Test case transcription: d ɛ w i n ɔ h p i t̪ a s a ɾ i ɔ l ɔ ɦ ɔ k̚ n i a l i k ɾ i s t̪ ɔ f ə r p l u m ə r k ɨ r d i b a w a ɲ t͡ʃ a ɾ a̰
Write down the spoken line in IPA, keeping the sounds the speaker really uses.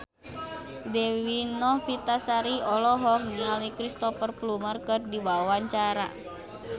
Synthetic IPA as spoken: d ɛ w i n ɔ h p i t̪ a s a ɾ i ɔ l ɔ ɦ ɔ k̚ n i a l i k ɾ i s t̪ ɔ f ə r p l u m ə r k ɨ r d i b a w a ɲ t͡ʃ a ɾ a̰